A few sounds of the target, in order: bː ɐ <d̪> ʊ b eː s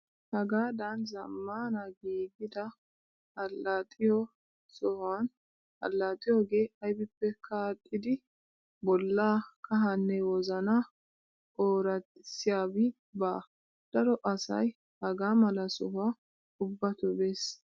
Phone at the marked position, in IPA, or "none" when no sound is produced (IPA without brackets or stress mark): t̪